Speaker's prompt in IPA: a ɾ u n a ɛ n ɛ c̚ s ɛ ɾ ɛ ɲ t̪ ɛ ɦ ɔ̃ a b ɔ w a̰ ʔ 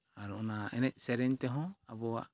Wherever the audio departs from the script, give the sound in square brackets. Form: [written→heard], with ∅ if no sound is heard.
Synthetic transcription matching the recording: a ɾ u n a ɛ n ɛ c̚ s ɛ ɾ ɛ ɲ t̪ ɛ ɦ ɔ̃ a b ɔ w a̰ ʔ